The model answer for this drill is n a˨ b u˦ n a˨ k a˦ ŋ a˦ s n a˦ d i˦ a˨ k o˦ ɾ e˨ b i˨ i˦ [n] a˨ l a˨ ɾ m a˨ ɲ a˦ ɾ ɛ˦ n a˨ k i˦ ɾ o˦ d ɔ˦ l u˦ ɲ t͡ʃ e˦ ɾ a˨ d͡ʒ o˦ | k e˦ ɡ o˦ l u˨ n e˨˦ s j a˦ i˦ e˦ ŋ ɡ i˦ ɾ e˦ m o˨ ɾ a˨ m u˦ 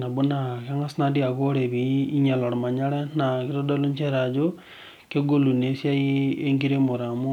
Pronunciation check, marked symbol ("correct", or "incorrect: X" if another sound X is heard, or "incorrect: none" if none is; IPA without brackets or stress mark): incorrect: ɲ